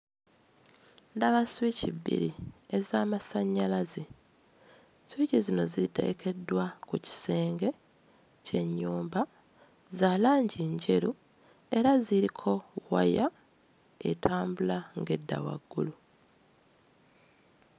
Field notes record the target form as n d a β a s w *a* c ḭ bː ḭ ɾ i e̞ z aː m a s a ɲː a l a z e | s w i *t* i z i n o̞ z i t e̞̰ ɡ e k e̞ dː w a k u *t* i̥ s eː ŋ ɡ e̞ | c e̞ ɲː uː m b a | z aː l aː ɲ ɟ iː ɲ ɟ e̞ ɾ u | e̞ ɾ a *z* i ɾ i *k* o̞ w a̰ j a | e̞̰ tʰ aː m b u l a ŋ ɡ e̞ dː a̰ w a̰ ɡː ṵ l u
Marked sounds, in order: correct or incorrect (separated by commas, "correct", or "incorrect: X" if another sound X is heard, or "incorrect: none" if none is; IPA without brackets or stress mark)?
incorrect: i, incorrect: c, incorrect: c, correct, incorrect: kʰ